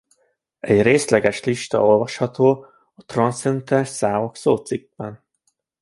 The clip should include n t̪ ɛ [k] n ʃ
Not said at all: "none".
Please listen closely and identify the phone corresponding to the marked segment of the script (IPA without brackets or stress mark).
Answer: none